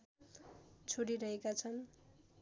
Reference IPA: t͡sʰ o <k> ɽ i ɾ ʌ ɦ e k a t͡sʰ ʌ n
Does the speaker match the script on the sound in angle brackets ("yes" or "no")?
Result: no